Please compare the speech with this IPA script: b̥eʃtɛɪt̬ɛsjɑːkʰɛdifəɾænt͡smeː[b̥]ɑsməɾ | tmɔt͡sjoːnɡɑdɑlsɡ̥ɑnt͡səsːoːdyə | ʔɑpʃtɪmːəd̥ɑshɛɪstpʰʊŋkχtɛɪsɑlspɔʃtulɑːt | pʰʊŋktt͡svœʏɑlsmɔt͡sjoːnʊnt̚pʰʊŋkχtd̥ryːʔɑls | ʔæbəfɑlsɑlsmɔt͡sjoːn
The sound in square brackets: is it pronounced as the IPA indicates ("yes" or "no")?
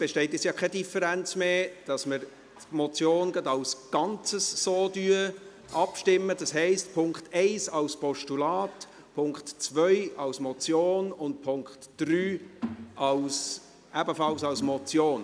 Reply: no